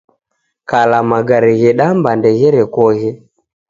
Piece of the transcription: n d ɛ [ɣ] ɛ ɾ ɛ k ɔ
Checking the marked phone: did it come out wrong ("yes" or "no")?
no